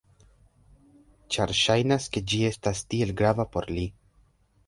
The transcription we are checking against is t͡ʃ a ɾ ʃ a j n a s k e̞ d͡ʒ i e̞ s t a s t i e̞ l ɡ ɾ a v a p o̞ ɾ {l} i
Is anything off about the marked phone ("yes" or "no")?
no